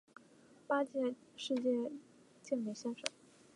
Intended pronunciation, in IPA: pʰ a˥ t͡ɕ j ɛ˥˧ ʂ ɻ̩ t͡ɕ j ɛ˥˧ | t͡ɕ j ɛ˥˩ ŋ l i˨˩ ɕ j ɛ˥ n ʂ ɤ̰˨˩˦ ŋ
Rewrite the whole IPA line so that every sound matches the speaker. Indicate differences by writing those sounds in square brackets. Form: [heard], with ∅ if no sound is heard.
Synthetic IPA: [p] a˥ t͡ɕ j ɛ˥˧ ʂ ɻ̩ t͡ɕ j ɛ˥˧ | t͡ɕ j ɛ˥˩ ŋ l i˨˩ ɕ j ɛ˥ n ʂ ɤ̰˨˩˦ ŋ